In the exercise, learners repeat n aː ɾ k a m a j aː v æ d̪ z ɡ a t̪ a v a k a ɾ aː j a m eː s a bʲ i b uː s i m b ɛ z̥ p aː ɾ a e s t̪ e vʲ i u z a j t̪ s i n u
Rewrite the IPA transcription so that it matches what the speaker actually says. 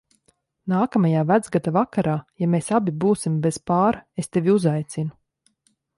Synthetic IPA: n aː k a m a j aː v æ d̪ z ɡ a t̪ a v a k a ɾ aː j a m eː s a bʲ i b uː s i m b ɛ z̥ p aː ɾ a e s t̪ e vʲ i u z a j t̪ s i n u